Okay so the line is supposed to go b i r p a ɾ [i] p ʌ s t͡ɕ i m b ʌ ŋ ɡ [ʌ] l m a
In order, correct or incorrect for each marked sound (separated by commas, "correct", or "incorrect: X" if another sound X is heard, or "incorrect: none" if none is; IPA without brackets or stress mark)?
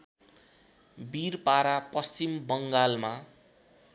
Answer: incorrect: a, incorrect: a